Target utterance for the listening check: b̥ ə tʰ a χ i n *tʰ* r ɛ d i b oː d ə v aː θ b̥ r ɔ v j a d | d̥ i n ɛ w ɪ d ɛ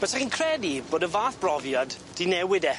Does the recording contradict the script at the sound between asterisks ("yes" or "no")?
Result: yes